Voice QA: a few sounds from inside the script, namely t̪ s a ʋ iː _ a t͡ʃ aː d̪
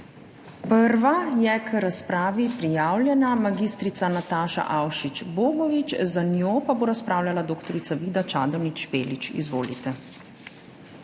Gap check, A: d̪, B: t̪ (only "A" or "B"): A